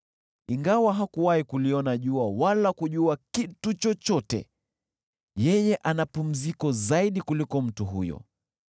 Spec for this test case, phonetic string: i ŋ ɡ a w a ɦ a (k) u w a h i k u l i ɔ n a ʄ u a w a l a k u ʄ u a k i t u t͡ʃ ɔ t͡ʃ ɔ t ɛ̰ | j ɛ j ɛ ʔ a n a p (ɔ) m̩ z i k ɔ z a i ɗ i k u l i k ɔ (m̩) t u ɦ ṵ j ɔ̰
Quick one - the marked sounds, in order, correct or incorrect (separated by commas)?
correct, incorrect, correct